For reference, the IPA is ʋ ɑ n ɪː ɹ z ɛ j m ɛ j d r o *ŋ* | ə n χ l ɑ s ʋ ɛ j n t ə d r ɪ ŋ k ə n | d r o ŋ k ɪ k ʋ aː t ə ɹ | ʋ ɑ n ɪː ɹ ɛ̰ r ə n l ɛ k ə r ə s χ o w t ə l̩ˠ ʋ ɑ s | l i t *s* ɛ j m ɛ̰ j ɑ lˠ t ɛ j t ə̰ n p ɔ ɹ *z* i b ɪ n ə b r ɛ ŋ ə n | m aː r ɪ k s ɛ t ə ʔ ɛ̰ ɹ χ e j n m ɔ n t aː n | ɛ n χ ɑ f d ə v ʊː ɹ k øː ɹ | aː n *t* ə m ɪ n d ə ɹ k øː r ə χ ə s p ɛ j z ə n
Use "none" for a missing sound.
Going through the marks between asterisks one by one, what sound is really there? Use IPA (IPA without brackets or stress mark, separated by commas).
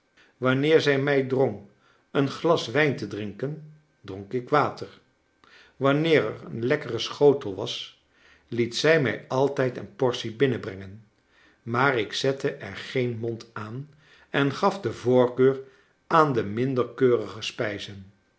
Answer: ŋ, s, s, d